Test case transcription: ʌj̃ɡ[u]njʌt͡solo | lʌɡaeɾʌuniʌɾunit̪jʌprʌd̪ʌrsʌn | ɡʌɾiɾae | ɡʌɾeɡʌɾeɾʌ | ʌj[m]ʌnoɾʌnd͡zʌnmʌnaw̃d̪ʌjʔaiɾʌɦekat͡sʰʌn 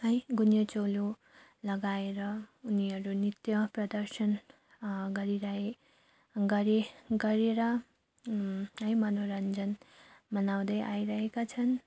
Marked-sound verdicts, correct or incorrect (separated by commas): correct, correct